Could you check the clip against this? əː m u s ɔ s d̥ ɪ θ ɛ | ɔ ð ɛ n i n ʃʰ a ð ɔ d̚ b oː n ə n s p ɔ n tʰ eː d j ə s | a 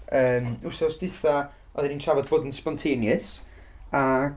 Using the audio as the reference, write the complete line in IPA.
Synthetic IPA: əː m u s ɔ s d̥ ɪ θ a | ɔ ð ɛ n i n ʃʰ a v ɔ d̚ b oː d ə n s p ɔ n tʰ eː n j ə s | a